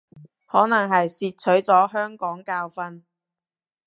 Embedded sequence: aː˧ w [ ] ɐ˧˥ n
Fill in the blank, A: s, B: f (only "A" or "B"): B